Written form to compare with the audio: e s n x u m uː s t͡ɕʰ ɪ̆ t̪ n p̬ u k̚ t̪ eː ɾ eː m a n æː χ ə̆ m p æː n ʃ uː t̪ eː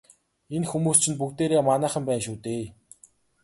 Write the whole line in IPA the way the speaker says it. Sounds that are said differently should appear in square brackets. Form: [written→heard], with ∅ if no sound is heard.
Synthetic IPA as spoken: e [s→∅] n x u m uː s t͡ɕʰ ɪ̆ [t̪→∅] n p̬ u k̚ t̪ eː ɾ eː m a n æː χ ə̆ m p æː n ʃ uː t̪ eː